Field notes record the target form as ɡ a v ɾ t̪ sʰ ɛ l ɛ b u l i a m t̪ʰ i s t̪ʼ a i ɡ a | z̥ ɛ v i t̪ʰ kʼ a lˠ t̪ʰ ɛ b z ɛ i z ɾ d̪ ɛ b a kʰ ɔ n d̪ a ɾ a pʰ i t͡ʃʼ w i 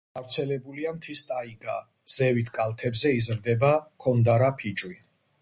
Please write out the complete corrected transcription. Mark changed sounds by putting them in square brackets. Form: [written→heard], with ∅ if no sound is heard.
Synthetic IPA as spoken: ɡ a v ɾ t̪ sʰ ɛ l ɛ b u l i a m t̪ʰ i s t̪ʼ a i ɡ a | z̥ ɛ v i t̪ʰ kʼ a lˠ t̪ʰ ɛ b z ɛ i z ɾ d̪ ɛ b a kʰ ɔ n d̪ a ɾ a pʰ i t͡ʃʼ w i